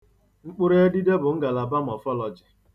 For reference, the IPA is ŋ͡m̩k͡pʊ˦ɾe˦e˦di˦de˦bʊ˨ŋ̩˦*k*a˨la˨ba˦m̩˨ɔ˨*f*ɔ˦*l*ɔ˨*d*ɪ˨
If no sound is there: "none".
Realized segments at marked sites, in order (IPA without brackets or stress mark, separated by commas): ɡ, f, l, d͡ʒ